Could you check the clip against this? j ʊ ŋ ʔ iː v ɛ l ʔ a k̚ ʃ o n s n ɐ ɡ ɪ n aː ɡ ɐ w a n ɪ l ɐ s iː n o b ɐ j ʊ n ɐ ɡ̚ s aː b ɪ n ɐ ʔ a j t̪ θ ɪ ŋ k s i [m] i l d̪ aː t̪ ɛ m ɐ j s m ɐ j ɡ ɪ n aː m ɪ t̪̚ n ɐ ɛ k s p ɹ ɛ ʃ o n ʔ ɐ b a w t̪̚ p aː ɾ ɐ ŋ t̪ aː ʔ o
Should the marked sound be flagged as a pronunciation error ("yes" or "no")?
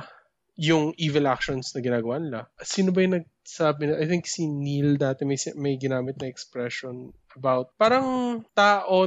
yes